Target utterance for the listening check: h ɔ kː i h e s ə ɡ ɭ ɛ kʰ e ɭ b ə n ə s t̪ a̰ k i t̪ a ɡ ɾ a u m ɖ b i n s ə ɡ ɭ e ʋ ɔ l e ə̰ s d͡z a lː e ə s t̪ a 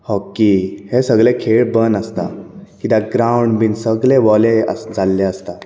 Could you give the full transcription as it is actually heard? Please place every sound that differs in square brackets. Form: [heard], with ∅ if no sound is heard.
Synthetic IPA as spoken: h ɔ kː i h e s ə ɡ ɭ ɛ kʰ e ɭ b ə n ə s t̪ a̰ k i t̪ a ɡ ɾ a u [ɳ] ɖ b i n s ə ɡ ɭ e ʋ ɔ l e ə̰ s d͡z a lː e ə s t̪ a